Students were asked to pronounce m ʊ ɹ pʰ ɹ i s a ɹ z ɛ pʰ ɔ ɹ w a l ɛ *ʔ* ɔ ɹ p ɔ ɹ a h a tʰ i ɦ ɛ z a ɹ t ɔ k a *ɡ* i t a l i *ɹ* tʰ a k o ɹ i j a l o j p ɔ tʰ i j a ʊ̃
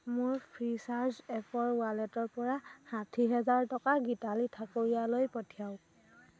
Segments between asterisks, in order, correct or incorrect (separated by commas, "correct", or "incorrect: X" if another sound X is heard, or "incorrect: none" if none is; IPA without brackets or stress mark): incorrect: t, correct, incorrect: none